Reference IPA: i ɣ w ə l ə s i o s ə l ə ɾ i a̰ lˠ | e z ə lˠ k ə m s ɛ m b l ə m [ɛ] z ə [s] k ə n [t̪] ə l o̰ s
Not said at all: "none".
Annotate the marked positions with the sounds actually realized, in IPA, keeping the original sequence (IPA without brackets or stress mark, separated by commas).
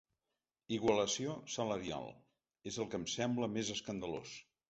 e, s, d̪